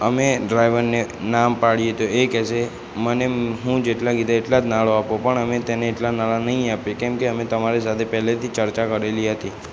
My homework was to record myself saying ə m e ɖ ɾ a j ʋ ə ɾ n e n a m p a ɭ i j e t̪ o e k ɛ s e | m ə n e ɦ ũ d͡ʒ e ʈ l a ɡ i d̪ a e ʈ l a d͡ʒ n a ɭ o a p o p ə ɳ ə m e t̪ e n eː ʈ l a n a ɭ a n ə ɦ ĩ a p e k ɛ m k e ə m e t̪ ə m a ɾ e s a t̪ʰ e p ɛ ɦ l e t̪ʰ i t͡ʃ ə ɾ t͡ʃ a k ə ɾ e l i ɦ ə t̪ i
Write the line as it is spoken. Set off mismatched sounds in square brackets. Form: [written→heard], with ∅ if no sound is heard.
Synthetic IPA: ə m e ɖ ɾ a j ʋ ə ɾ n e n a m p a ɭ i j e t̪ o e k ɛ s e | m ə n e ɦ ũ d͡ʒ e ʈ l a ɡ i d̪ a e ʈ l a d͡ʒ n a ɭ o a p o p ə ɳ ə m e t̪ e n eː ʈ l a n a ɭ a n ə ɦ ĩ a p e k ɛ m k e ə m e t̪ ə m a ɾ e s a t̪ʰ e p ɛ ɦ l e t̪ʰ i t͡ʃ ə ɾ t͡ʃ a k ə ɾ e l i ɦ ə t̪ i

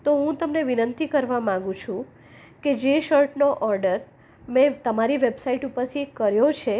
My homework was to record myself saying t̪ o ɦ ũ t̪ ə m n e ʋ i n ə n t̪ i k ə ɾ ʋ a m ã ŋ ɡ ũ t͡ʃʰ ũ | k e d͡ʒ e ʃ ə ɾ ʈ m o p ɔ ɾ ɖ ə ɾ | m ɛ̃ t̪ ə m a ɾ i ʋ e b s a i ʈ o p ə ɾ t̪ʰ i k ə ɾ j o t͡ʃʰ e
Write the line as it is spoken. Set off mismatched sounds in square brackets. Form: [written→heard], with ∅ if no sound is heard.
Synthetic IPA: t̪ o ɦ ũ t̪ ə m n e ʋ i n ə n t̪ i k ə ɾ ʋ a m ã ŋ ɡ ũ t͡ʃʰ ũ | k e d͡ʒ e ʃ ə ɾ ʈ [m→n] o [p→ʔ] ɔ ɾ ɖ ə ɾ | m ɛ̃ t̪ ə m a ɾ i ʋ e b s a i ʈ [o→u] p ə ɾ t̪ʰ i k ə ɾ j o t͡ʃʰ e

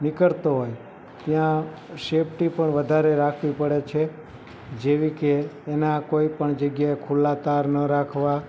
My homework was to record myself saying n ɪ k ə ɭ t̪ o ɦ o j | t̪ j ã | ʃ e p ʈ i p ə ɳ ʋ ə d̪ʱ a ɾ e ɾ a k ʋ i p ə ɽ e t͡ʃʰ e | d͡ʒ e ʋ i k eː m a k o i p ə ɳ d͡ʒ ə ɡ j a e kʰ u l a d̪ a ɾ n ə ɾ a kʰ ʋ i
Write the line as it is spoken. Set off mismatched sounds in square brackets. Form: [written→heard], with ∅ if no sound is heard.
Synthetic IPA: n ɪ k ə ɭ t̪ o ɦ o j | t̪ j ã | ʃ e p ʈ i p ə ɳ ʋ ə d̪ʱ a ɾ e ɾ a [k→kʰ] ʋ i p ə ɽ e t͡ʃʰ e | d͡ʒ e ʋ i k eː [m→n] a k o i p ə ɳ d͡ʒ ə ɡ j a e kʰ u l a [d̪→t̪] a ɾ n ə ɾ a kʰ ʋ [i→a]

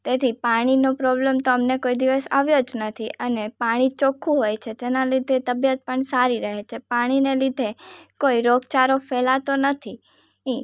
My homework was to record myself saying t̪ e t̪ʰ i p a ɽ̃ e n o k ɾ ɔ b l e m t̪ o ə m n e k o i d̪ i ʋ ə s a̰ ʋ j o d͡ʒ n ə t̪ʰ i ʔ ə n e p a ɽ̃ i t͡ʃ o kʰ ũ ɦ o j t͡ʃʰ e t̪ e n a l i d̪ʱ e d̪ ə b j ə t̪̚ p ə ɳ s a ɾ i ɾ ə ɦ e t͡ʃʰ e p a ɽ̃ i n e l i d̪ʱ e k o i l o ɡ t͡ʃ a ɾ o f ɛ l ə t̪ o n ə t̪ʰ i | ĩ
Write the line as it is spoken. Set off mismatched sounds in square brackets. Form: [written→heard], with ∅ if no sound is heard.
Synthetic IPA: t̪ e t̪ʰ i p a ɽ̃ [e→i] n o [k→p] ɾ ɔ b l e m t̪ o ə m n e k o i d̪ i ʋ ə s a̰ ʋ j o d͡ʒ n ə t̪ʰ i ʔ ə n e p a ɽ̃ i t͡ʃ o kʰ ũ ɦ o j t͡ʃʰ e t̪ e n a l i d̪ʱ e [d̪→t̪] ə b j ə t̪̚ p ə ɳ s a ɾ i ɾ ə ɦ e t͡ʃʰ e p a ɽ̃ i n e l i d̪ʱ e k o i [l→ɾ] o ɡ t͡ʃ a ɾ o f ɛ l [ə→a] t̪ o n ə t̪ʰ i | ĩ

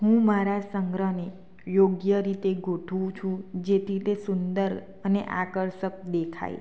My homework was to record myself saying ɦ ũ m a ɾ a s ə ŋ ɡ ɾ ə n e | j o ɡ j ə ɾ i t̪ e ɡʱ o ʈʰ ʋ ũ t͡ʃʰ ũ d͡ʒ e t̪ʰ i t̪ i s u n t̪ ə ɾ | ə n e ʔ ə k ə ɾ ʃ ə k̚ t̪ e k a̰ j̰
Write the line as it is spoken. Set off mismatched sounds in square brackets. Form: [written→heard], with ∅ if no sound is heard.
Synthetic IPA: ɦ ũ m a ɾ a s ə ŋ ɡ ɾ ə n e | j o ɡ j ə ɾ i t̪ e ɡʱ o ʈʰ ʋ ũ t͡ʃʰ ũ d͡ʒ e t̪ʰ i t̪ [i→e] s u n [t̪→d̪] ə ɾ | ə n e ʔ [ə→a] k ə ɾ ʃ ə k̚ [t̪→d̪] e [k→kʰ] a̰ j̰

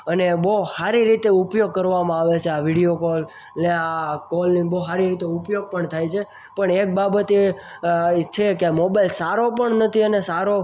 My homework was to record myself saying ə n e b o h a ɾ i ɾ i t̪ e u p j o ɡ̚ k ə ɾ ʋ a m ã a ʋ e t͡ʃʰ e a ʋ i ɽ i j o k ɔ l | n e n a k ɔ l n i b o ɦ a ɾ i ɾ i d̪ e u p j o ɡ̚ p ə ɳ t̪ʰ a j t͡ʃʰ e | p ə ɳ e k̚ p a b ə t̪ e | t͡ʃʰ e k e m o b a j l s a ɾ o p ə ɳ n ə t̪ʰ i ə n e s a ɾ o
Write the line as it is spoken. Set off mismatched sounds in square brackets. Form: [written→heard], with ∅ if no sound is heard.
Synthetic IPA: ə n e b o h a ɾ i ɾ i t̪ e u p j o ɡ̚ k ə ɾ ʋ a m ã a ʋ e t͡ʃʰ e a ʋ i ɽ i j o k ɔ l | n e [n→∅] a k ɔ l n i b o ɦ a ɾ i ɾ i [d̪→t̪] e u p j o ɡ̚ p ə ɳ t̪ʰ a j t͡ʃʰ e | p ə ɳ e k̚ [p→b] a b ə t̪ e | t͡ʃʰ e k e m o b a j l s a ɾ o p ə ɳ n ə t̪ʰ i ə n e s a ɾ o

